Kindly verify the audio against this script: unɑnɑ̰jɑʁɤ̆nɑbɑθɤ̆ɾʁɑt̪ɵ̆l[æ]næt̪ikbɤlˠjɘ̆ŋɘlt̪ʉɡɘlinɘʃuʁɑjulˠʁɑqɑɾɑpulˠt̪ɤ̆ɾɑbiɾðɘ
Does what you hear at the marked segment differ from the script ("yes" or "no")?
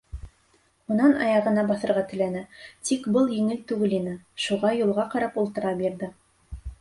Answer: no